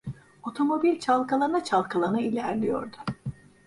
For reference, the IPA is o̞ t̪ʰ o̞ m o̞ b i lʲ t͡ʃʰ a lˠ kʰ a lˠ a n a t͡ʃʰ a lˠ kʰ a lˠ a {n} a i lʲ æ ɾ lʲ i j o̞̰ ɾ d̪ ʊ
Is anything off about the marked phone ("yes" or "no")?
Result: no